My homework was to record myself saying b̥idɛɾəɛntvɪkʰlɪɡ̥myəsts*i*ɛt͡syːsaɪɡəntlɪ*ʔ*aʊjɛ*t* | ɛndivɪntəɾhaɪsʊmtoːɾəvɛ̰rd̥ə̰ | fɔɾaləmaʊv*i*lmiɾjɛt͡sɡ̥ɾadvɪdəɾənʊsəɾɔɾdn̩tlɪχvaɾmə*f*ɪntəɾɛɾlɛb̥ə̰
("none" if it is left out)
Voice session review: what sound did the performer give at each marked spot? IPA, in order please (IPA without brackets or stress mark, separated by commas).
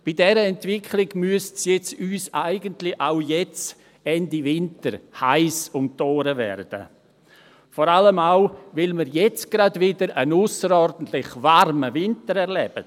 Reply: j, ʔ, t͡s, ɪ, v